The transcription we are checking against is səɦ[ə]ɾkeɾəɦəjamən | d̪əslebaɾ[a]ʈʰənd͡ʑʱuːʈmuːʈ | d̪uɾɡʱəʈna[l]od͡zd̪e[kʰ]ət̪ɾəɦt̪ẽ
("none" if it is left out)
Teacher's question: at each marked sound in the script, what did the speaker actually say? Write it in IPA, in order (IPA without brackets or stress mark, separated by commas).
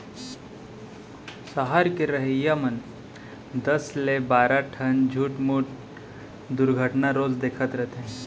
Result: a, a, ɾ, kʰ